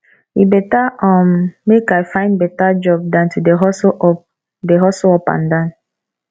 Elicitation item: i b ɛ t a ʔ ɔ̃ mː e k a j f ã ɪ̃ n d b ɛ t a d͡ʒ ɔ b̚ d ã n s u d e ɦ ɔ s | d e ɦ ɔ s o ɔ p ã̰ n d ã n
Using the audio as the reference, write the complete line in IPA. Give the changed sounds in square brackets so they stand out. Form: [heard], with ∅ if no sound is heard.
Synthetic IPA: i b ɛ t a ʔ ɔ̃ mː e k a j f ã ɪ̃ n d b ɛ t a d͡ʒ ɔ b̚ d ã n [t] u d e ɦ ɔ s | d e ɦ ɔ s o ɔ p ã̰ n d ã n